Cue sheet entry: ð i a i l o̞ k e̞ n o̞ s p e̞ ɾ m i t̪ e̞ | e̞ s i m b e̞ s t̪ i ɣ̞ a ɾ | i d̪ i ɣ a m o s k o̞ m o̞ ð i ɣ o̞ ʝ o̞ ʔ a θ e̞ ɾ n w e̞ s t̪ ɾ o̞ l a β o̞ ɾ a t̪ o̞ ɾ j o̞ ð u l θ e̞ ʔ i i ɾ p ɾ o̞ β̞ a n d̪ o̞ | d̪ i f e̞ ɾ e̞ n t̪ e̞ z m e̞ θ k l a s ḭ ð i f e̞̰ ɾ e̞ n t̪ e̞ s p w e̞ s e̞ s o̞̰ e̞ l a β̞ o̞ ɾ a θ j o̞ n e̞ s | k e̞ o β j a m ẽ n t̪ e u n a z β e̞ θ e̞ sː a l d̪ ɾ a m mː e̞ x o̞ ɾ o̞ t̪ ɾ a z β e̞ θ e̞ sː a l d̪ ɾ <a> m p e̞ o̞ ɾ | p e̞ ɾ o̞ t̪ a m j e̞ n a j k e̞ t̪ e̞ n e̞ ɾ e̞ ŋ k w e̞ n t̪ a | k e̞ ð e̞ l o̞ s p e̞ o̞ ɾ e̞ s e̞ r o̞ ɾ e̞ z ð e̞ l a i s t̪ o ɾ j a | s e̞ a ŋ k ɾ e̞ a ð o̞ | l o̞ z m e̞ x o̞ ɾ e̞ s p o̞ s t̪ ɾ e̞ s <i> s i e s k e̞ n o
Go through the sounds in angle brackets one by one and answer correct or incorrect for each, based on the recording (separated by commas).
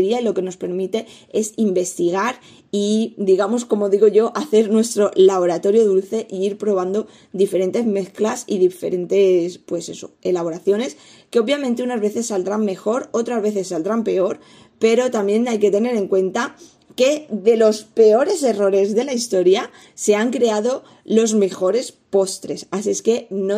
correct, incorrect